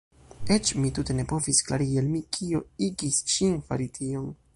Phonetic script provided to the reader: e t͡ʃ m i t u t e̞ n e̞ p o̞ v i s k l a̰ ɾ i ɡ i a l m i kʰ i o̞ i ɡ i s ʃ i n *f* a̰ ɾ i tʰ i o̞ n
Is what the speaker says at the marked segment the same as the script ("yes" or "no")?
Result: yes